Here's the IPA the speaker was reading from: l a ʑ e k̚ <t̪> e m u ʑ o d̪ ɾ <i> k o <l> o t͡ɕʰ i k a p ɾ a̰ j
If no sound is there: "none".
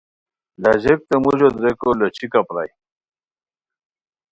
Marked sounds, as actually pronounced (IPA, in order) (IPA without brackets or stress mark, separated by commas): t̪, e, l